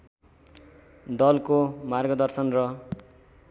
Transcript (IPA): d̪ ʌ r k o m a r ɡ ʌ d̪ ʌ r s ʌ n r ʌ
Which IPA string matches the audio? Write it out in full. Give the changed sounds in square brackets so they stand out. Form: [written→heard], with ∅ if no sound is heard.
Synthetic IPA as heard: d̪ ʌ [r→l] k o m a r ɡ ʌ d̪ ʌ r s ʌ n r ʌ